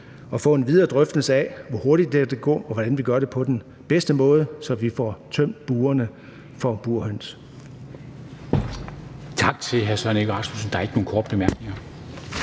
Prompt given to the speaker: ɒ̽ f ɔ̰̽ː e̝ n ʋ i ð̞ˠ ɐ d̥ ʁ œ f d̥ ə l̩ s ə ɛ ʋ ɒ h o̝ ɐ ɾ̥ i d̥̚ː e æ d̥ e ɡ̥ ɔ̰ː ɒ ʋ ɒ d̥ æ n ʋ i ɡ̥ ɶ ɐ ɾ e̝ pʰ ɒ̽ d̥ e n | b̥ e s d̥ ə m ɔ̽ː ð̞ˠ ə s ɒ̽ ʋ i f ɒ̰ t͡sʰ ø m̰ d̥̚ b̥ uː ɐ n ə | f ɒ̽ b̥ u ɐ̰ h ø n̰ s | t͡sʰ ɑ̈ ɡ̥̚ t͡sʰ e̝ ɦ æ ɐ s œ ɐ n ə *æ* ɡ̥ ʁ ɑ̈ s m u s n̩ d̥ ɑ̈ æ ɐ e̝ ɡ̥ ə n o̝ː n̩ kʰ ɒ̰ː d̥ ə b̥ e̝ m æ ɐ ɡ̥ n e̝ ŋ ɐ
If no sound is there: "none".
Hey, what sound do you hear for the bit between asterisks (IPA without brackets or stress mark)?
e